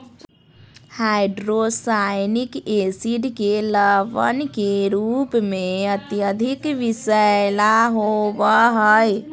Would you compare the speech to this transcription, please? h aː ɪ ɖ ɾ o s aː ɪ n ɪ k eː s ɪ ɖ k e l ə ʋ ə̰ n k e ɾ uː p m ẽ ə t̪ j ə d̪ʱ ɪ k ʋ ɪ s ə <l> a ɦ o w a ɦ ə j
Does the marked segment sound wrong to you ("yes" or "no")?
no